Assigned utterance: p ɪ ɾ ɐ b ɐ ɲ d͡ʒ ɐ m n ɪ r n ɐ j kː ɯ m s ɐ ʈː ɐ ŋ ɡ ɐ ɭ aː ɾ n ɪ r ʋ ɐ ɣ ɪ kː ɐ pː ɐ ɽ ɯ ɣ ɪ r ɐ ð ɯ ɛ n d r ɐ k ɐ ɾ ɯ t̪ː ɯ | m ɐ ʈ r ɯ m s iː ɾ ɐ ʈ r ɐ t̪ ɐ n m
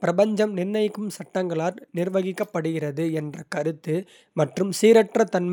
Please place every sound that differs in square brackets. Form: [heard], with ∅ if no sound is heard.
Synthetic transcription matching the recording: p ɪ ɾ ɐ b ɐ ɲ d͡ʒ ɐ m n ɪ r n ɐ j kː ɯ m s ɐ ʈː ɐ ŋ ɡ ɐ ɭ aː ɾ n ɪ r ʋ ɐ ɣ ɪ kː ɐ pː ɐ ɽ ɯ ɣ ɪ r ɐ ð ɯ ɛ n d r ɐ k ɐ ɾ ɯ t̪ː ɯ | m ɐ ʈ r ɯ m s iː ɾ ɐ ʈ r ɐ t̪ ɐ n m